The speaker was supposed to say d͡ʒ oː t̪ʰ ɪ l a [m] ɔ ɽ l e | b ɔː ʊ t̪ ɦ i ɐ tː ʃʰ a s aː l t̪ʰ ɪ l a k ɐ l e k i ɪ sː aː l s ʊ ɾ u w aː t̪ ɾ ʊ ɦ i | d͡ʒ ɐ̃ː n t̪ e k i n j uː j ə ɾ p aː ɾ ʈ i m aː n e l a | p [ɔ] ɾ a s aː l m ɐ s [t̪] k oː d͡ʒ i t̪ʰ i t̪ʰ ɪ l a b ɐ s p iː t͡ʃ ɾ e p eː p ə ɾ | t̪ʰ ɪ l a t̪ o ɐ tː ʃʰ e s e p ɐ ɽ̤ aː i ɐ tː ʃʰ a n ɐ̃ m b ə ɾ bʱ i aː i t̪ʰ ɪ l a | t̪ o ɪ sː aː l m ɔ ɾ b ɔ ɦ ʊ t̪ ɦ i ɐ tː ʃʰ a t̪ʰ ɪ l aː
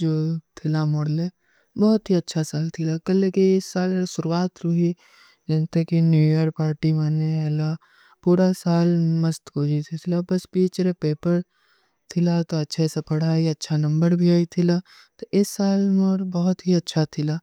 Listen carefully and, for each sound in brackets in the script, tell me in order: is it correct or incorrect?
correct, incorrect: u, correct

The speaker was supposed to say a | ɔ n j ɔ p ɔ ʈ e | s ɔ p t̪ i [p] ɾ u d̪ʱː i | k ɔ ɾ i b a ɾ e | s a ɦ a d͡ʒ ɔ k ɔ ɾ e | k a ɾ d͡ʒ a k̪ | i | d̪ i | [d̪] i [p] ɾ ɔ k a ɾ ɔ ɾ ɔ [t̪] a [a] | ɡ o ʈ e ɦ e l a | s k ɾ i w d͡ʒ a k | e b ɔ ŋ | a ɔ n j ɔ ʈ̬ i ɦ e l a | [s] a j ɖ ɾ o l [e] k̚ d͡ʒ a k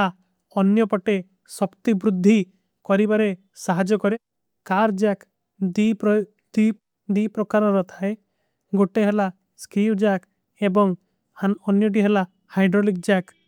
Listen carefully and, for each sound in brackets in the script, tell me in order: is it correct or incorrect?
incorrect: b, correct, correct, incorrect: t̪ʰ, incorrect: e, incorrect: h, incorrect: i

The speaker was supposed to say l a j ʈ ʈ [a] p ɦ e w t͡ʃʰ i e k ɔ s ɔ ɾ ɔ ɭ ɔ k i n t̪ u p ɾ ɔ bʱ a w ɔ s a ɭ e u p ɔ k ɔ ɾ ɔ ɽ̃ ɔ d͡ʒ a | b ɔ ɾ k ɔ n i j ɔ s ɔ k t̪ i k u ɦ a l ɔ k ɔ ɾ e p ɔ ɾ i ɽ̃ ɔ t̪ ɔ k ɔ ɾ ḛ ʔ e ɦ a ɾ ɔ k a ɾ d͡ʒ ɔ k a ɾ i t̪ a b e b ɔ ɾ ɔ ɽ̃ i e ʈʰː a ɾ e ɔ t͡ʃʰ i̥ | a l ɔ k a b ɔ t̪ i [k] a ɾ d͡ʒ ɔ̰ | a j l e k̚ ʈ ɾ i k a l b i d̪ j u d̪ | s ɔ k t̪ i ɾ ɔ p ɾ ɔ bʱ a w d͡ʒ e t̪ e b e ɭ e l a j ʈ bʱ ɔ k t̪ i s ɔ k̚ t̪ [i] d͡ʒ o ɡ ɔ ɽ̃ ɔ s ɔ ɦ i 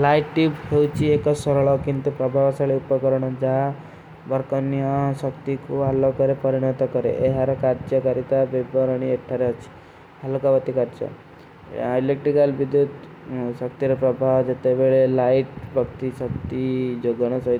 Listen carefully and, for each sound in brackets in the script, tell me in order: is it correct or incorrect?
incorrect: i, correct, correct

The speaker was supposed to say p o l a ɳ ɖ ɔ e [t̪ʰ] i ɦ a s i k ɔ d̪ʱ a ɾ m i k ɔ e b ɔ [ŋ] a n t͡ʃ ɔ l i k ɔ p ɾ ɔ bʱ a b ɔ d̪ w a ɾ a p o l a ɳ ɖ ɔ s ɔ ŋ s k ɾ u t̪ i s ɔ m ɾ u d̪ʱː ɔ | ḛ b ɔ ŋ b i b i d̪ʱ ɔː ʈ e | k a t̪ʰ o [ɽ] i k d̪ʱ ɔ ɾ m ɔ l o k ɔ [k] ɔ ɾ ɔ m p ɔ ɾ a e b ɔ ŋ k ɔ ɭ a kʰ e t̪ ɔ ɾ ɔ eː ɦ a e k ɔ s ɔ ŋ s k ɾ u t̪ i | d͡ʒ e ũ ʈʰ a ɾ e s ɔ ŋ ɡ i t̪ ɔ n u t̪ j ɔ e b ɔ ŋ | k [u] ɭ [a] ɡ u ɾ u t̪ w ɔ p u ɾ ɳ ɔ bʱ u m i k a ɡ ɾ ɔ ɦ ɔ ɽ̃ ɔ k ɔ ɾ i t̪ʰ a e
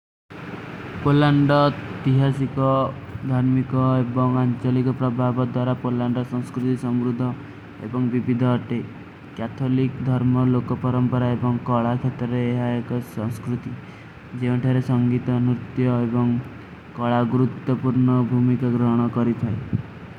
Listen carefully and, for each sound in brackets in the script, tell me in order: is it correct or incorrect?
incorrect: t̪, correct, incorrect: l, incorrect: p, incorrect: ɔ, correct

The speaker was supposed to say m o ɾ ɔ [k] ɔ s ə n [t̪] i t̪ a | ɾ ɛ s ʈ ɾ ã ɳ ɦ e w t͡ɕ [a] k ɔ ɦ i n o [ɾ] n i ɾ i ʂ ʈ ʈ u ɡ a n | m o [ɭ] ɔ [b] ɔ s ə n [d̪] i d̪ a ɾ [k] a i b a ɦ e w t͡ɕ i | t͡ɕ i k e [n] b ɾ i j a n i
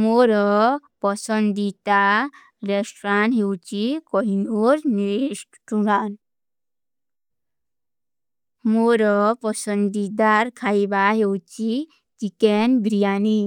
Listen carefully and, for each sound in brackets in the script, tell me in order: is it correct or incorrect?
incorrect: p, incorrect: d̪, incorrect: i, correct, incorrect: ɾ, incorrect: p, correct, incorrect: kʰ, correct

